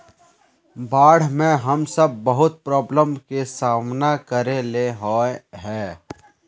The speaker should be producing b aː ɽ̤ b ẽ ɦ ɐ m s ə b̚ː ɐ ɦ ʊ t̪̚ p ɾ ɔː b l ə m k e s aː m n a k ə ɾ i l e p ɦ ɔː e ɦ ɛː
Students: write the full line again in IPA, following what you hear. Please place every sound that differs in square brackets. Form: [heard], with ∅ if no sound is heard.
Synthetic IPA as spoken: b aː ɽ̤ [m] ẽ ɦ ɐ m s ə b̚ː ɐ ɦ ʊ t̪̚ p ɾ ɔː b l ə m k e s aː m n a k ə ɾ [e] l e [∅] ɦ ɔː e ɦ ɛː